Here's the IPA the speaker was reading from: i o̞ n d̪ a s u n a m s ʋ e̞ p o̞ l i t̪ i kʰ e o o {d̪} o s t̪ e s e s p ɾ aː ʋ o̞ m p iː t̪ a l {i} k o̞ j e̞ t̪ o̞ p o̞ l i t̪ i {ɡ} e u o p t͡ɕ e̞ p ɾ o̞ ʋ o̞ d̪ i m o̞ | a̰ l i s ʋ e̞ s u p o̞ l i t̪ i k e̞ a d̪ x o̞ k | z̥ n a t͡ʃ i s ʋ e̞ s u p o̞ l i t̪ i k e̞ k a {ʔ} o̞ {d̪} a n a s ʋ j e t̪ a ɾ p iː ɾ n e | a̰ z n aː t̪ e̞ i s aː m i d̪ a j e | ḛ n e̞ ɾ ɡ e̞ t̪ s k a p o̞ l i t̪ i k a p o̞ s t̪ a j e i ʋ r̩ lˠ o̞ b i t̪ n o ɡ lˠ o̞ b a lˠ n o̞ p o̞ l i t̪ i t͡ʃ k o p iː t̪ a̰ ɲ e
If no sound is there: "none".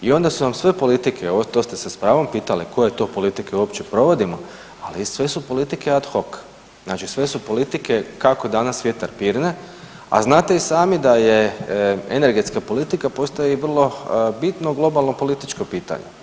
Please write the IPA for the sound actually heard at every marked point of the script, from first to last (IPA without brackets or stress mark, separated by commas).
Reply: t̪, i, k, k, d̪